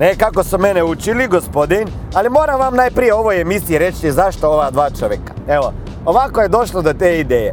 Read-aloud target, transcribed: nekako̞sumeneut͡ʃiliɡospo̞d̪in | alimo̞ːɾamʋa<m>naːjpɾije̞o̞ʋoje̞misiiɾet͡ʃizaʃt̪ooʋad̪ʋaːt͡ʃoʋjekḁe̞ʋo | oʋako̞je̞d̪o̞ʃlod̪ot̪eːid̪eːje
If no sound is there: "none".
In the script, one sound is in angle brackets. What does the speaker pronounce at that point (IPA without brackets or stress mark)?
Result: m